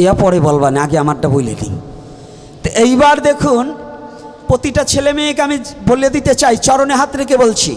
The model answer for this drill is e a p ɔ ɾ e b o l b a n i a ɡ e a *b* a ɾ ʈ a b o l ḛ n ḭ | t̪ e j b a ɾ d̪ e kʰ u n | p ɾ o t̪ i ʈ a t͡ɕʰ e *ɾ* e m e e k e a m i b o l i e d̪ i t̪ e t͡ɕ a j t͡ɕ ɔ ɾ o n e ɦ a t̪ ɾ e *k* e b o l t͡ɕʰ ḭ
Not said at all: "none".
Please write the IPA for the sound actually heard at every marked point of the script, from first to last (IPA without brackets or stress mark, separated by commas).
m, l, k